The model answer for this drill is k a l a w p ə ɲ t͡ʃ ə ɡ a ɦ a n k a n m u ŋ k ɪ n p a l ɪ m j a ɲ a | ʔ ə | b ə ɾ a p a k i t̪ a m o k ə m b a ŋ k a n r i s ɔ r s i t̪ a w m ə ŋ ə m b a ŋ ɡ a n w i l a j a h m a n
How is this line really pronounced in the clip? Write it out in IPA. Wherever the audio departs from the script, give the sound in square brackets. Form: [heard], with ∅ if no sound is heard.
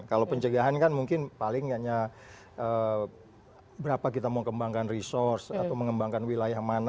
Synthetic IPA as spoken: k a l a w p ə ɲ t͡ʃ ə ɡ a ɦ a n k a n m u ŋ k ɪ n p a l ɪ [ŋ] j a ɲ a | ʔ ə | b ə ɾ a p a k i t̪ a m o k ə m b a ŋ k a n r i s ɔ r s [a] t̪ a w m ə ŋ ə m b a ŋ [k] a n w i l a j a h m a n